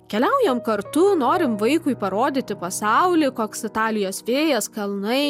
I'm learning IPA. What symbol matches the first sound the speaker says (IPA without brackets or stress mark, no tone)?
kʲ